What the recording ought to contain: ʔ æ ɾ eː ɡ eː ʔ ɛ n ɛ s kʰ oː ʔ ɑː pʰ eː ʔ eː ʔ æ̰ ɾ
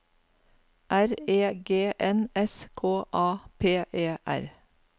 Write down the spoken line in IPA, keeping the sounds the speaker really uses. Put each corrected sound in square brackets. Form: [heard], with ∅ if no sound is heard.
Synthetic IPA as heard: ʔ æ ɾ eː ɡ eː ʔ ɛ n ɛ s kʰ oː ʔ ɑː pʰ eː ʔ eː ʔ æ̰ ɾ